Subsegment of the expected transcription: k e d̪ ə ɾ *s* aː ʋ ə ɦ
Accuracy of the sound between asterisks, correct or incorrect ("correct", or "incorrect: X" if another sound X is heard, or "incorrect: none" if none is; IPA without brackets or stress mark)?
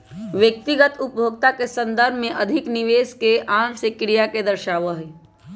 incorrect: ʃ